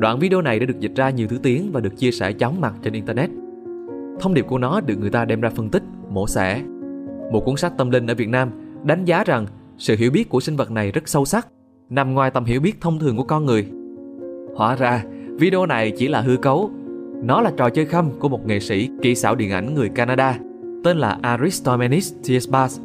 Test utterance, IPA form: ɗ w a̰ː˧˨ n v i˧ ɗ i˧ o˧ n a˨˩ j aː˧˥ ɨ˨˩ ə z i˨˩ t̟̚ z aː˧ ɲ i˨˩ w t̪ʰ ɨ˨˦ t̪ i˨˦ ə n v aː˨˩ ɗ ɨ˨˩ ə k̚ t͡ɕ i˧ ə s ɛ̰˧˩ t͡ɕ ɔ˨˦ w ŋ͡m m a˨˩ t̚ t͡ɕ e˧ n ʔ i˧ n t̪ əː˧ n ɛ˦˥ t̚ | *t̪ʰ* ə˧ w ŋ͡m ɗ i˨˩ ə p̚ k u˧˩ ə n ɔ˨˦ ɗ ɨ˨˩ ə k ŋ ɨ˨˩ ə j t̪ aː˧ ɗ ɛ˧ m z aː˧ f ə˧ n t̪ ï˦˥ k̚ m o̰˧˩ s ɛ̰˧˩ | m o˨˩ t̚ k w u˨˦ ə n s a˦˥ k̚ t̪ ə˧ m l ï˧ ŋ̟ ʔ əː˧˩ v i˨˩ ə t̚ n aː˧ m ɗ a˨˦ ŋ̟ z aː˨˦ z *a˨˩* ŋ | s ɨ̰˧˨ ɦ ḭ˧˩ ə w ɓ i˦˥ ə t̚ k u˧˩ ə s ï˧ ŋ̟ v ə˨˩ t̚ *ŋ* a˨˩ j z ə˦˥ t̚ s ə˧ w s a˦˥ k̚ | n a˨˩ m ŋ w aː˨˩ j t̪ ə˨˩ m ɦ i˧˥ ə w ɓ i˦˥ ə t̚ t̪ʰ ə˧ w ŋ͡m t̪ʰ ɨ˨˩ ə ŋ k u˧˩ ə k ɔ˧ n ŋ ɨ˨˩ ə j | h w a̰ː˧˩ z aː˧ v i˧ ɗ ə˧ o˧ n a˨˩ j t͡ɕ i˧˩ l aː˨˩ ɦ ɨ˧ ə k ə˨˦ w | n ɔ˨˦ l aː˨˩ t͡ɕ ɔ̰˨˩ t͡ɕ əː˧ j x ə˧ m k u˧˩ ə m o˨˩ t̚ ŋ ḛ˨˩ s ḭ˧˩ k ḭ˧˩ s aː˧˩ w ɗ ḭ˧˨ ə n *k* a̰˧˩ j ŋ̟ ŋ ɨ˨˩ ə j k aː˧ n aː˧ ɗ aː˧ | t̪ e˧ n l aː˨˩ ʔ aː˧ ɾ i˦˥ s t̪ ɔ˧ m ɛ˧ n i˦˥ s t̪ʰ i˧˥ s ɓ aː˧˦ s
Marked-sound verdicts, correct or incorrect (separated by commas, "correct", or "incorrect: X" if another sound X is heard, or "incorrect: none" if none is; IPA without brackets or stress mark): correct, correct, incorrect: n, incorrect: ʔ